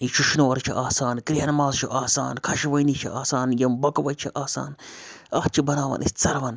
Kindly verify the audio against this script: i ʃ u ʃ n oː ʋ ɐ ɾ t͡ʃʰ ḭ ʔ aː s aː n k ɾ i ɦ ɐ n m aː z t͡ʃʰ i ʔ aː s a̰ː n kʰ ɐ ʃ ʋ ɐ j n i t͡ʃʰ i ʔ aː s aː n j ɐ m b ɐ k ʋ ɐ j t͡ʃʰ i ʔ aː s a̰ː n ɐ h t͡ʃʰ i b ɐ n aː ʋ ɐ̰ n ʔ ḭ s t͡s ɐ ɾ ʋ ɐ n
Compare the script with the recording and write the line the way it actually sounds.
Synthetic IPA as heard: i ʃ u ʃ n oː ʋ ɐ ɾ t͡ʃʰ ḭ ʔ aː s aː n k ɾ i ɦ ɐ n m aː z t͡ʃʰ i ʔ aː s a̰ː n kʰ ɐ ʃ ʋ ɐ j n i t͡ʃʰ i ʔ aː s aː n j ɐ m b ɐ k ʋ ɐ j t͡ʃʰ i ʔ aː s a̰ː n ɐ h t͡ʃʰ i b ɐ n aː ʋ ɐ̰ n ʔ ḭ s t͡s ɐ ɾ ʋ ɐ n